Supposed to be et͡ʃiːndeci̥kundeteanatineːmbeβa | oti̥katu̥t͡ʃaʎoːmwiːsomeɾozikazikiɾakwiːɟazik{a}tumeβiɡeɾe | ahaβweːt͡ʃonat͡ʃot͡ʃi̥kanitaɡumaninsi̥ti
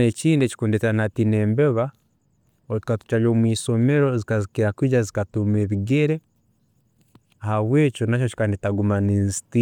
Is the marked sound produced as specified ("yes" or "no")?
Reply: yes